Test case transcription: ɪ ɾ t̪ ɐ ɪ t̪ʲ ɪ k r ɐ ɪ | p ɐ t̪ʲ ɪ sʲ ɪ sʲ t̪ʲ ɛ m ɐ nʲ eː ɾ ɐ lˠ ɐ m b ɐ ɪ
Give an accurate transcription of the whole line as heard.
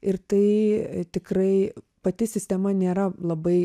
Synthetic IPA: ɪ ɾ t̪ ɐ ɪ t̪ʲ ɪ k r ɐ ɪ | p ɐ t̪ʲ ɪ sʲ ɪ sʲ t̪ʲ ɛ m ɐ nʲ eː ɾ ɐ lˠ ɐ b ɐ ɪ